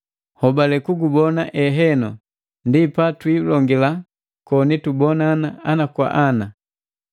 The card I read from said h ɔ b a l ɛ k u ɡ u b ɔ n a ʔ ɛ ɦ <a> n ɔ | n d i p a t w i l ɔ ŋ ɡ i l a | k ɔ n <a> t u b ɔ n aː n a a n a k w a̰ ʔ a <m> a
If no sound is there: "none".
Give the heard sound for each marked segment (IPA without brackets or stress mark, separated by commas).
ɛ, i, n